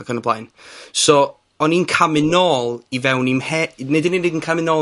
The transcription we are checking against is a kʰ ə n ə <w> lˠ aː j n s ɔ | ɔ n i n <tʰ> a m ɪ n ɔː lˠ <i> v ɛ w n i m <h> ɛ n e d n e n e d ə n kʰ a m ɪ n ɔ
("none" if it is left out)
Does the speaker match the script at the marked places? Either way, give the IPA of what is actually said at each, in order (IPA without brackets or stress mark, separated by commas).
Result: b, kʰ, i, h